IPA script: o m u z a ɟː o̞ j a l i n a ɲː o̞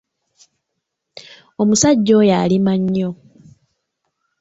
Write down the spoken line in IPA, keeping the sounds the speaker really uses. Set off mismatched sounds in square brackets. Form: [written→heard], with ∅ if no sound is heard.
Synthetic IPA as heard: o m u [z→s] a ɟː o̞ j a l i [n→m] a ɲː o̞